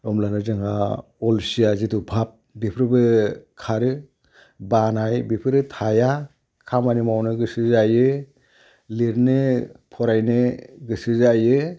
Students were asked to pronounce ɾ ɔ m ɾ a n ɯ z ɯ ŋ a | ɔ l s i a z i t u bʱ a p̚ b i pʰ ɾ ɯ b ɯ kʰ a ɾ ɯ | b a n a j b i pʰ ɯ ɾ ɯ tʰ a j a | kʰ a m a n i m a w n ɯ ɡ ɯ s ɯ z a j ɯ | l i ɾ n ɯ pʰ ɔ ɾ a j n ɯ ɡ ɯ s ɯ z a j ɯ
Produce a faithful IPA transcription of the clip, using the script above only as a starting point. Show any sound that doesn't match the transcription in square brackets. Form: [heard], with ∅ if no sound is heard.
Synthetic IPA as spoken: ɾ ɔ m [l] a n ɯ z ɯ ŋ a | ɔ l s i a z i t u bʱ a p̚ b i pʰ ɾ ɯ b ɯ kʰ a ɾ ɯ | b a n a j b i pʰ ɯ ɾ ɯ tʰ a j a | kʰ a m a n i m a w n ɯ ɡ ɯ s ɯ z a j ɯ | l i ɾ n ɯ pʰ ɔ ɾ a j n ɯ ɡ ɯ s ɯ z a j ɯ